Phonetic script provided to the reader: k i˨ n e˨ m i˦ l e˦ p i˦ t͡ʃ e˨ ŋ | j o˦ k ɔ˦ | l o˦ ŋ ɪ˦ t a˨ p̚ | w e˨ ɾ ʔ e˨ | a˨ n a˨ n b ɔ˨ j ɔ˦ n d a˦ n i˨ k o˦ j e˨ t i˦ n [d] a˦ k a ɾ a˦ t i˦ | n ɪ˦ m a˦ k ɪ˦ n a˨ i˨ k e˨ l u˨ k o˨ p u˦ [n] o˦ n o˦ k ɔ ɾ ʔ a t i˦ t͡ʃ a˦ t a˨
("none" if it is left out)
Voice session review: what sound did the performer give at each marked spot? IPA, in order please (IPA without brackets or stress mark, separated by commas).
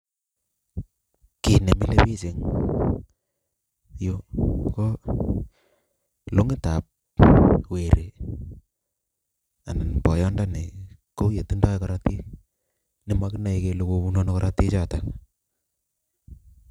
d, n